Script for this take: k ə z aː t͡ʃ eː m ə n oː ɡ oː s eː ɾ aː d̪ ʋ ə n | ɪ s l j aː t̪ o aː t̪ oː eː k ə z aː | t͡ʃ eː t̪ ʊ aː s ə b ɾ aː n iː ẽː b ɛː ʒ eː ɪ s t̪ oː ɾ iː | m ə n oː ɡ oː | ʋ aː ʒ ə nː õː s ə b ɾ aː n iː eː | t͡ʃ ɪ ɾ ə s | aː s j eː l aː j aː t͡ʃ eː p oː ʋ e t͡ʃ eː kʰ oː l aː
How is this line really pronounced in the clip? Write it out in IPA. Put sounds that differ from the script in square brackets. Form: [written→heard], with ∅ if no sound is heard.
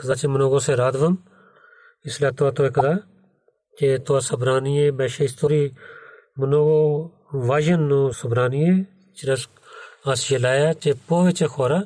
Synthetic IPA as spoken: k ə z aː t͡ʃ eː m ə n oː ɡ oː s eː ɾ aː d̪ ʋ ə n | ɪ s l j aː t̪ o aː t̪ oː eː k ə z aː | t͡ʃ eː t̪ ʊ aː s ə b ɾ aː n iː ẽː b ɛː [ʒ→ʃ] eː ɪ s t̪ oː ɾ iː | m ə n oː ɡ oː | ʋ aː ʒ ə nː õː s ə b ɾ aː n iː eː | t͡ʃ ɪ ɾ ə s | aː s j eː l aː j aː t͡ʃ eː p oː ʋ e t͡ʃ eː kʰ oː [l→ɾ] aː